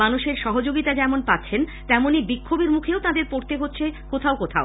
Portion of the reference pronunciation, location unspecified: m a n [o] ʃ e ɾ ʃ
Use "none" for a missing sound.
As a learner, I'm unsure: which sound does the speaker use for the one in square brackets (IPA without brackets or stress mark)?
u